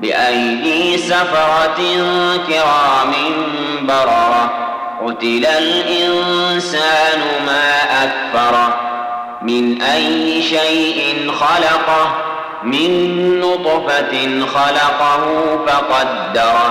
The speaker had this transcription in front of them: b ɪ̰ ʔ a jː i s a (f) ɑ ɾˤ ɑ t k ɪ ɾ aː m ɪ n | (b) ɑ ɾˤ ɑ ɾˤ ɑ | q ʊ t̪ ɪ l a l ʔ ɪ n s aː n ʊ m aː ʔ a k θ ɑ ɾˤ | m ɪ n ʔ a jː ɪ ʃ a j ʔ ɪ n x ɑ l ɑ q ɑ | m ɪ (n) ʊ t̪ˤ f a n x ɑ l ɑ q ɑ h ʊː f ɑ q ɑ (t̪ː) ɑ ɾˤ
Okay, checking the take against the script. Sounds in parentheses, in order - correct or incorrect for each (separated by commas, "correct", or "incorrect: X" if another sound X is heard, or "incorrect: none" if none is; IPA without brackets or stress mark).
correct, correct, incorrect: nː, incorrect: d̪ː